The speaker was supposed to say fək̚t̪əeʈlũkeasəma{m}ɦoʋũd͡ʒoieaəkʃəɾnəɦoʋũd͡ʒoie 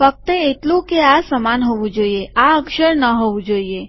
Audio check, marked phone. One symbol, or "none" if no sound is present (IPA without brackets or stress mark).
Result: n